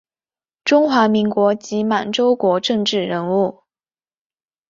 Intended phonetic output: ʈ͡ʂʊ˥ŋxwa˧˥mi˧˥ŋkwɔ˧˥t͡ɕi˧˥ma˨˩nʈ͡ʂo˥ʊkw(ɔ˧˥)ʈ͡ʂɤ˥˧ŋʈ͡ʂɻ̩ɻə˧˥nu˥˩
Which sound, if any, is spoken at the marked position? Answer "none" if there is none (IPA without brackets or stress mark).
ɔ˧˥